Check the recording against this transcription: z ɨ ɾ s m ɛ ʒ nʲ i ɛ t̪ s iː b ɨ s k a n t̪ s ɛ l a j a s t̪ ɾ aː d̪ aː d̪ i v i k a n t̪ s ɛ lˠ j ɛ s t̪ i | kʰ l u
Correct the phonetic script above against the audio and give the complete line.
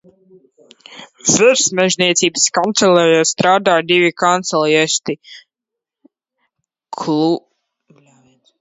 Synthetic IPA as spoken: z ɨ ɾ s m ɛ ʒ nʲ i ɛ t̪ s iː b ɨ s k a n t̪ s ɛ l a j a s t̪ ɾ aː d̪ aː d̪ i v i k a n t̪ s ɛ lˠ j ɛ s t̪ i | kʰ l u